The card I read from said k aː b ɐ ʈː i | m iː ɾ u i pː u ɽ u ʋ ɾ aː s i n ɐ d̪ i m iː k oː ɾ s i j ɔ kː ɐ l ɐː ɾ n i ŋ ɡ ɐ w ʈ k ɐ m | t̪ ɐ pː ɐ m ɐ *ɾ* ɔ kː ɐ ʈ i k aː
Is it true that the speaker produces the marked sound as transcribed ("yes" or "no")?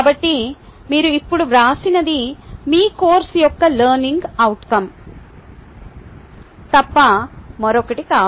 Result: yes